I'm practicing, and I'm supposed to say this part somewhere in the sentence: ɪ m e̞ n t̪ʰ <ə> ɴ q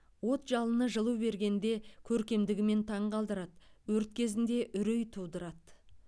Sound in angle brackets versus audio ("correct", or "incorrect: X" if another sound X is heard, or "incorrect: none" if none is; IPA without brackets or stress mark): incorrect: ɑ